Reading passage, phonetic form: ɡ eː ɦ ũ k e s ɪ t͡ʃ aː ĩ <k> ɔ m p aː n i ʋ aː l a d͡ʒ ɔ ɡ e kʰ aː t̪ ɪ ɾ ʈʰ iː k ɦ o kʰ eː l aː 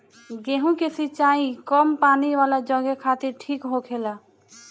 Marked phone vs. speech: correct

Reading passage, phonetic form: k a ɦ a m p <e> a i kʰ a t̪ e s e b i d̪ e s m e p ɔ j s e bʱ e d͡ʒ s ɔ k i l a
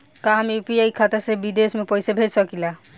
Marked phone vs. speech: incorrect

